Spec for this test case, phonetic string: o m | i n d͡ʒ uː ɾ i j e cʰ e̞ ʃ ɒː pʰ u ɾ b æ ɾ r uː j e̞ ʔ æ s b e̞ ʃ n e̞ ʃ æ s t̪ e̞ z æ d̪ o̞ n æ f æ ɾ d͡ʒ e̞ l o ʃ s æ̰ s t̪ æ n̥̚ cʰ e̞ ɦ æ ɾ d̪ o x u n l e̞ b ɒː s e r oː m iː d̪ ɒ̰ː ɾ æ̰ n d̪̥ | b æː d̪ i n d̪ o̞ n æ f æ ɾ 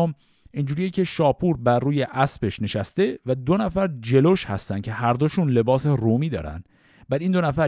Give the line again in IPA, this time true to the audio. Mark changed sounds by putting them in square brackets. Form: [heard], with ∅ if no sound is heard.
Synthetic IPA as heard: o m | i n d͡ʒ uː ɾ i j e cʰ e̞ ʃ ɒː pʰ u ɾ b æ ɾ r uː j e̞ ʔ æ s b e̞ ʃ n e̞ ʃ æ s t̪ e̞ [v] æ d̪ o̞ n æ f æ ɾ d͡ʒ e̞ l o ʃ [h] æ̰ s t̪ æ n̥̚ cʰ e̞ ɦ æ ɾ d̪ o [ʃ] u n l e̞ b ɒː s e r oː m iː d̪ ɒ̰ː ɾ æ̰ n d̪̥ | b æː d̪ i n d̪ o̞ n æ f æ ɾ